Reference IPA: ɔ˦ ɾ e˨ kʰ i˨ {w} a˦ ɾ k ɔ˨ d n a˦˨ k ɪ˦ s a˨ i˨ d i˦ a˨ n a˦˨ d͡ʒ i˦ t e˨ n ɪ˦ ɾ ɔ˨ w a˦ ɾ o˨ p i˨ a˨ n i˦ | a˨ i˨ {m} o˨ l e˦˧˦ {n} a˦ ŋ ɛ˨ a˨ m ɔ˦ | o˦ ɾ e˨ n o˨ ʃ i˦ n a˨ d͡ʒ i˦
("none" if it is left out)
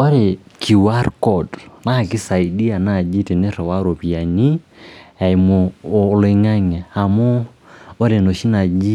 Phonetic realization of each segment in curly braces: w, m, ŋ

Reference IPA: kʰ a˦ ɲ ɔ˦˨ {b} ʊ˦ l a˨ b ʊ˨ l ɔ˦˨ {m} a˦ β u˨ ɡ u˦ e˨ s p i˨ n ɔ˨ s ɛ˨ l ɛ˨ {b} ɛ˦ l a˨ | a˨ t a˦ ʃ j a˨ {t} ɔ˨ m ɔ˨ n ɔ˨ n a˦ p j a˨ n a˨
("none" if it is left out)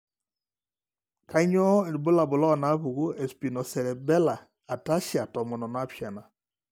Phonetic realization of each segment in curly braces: b, n, b, t

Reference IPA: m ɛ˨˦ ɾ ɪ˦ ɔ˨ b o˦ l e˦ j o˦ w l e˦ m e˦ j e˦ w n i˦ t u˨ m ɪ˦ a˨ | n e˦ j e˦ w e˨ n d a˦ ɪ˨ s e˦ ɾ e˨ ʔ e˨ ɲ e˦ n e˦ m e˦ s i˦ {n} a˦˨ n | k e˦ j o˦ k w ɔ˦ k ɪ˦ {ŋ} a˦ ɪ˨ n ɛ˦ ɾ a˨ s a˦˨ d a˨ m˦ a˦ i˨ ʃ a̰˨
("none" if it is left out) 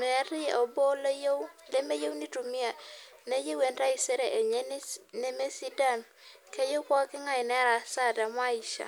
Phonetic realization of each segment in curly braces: d, ŋ

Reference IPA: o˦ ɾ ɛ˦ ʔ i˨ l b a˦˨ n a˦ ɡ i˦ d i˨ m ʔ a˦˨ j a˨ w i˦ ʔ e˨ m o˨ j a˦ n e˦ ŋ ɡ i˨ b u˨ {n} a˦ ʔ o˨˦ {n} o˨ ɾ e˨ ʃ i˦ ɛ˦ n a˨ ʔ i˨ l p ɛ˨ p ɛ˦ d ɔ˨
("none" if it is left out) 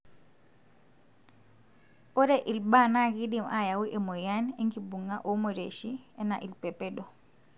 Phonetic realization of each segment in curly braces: ŋ, m

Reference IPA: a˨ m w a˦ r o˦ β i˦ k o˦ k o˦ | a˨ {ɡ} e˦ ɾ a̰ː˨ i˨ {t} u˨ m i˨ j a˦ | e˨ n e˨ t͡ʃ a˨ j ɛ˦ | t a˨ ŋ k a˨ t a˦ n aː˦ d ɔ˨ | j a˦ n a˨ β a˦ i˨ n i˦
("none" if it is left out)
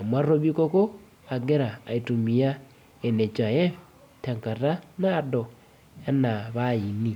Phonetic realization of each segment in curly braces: ɡ, t

